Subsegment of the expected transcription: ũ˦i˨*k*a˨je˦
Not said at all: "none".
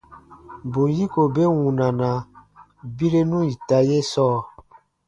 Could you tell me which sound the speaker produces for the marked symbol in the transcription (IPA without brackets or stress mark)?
t